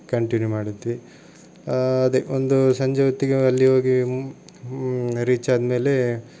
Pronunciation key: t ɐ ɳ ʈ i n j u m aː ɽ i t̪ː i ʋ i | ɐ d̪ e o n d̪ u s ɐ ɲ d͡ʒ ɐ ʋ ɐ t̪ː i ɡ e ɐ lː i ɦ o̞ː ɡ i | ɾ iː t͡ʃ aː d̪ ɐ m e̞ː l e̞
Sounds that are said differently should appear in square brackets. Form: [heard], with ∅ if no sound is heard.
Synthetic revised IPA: [k] ɐ ɳ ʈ i n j u m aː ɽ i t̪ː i ʋ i | ɐ d̪ e o n d̪ u s ɐ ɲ d͡ʒ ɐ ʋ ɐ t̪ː i ɡ e ɐ lː i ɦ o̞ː ɡ i | ɾ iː t͡ʃ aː d̪ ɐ m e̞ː l e̞